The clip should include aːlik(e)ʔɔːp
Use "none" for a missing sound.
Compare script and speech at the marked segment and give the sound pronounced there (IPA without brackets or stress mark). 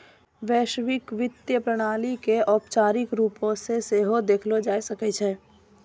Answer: e